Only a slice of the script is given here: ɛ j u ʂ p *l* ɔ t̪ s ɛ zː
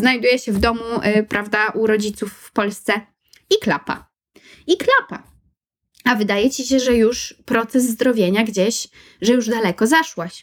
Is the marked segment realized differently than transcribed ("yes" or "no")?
yes